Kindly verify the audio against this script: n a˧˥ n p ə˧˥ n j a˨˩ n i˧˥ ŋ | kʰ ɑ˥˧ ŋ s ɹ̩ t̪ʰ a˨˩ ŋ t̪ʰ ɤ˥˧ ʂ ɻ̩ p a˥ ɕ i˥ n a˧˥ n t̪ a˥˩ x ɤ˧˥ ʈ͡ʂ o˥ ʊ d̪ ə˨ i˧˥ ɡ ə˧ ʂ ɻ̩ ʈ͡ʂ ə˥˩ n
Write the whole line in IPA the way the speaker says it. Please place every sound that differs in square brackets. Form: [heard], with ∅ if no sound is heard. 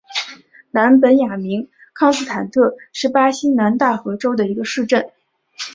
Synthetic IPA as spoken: n a˧˥ n p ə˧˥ n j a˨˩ [m] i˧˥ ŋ | kʰ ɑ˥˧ ŋ s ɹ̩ t̪ʰ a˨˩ [n] t̪ʰ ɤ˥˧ ʂ ɻ̩ p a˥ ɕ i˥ n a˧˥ n t̪ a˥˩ x ɤ˧˥ ʈ͡ʂ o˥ ʊ d̪ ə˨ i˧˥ ɡ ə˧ ʂ ɻ̩ ʈ͡ʂ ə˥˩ n